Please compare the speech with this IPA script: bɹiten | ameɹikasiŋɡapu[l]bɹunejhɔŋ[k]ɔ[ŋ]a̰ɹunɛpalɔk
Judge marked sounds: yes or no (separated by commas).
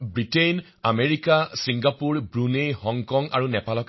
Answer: no, yes, yes